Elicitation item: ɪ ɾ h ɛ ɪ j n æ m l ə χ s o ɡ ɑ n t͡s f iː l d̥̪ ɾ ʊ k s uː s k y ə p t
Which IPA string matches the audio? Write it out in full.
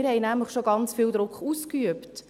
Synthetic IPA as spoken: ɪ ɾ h ɛ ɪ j n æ m l ə χ ʃ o ɡ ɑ n t͡s f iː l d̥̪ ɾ ʊ k χ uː s k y ə p t